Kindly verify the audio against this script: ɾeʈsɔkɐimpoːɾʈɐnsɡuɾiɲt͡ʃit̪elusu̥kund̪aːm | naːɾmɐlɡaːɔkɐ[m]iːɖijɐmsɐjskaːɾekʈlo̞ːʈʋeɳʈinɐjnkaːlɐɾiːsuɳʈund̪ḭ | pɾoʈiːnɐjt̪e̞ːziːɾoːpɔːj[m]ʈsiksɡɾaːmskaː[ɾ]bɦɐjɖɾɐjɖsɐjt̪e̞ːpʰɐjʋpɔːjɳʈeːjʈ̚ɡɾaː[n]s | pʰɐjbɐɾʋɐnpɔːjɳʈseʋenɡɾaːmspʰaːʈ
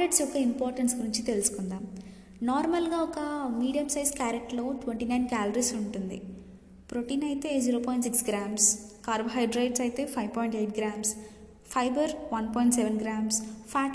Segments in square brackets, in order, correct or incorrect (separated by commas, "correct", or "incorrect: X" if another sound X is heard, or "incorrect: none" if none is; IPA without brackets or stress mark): correct, incorrect: ɳ, correct, incorrect: m